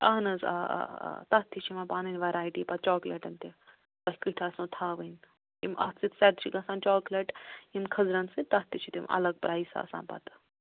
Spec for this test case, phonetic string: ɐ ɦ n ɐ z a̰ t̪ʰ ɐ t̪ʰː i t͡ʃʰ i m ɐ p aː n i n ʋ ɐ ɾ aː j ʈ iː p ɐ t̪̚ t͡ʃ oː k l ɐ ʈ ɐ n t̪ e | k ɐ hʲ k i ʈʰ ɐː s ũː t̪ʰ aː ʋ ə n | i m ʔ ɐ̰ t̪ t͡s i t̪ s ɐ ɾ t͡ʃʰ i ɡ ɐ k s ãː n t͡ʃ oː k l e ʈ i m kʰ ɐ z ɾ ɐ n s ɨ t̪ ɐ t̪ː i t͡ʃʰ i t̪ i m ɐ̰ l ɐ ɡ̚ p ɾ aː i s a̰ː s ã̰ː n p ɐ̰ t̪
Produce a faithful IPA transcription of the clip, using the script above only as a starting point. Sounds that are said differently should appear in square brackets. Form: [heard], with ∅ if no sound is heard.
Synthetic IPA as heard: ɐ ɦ n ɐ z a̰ [t̪] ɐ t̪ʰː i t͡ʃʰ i m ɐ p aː n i n ʋ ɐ ɾ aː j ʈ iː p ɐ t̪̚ t͡ʃ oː k l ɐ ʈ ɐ n t̪ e | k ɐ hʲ k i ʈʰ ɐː s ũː t̪ʰ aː ʋ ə n | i m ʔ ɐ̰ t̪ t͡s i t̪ s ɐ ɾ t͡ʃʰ i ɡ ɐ [∅] s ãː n t͡ʃ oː k l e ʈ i m kʰ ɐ z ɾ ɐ n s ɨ t̪ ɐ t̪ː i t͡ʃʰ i t̪ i m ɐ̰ l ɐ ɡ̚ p ɾ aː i s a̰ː s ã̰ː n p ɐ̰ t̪